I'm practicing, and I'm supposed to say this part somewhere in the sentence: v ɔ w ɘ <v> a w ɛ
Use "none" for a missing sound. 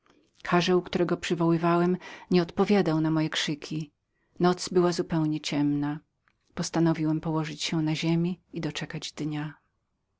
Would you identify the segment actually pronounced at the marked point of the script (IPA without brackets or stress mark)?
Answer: v